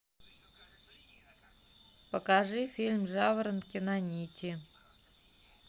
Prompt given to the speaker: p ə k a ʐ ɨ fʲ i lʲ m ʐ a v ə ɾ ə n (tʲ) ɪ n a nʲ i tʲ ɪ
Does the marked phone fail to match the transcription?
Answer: yes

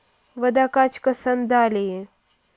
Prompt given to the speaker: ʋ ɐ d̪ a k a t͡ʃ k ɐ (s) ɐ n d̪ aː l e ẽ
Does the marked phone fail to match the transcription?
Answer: no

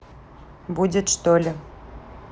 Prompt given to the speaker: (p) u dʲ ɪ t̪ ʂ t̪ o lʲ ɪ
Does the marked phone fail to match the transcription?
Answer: yes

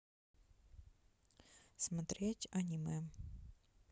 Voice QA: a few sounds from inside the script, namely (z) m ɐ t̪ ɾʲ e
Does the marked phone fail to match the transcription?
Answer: yes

